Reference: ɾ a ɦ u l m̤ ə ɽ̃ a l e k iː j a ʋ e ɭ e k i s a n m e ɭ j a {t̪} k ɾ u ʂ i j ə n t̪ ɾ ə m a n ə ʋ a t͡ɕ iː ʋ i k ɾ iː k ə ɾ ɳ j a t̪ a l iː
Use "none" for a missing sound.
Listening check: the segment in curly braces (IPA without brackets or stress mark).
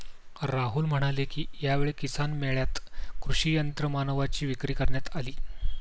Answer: t̪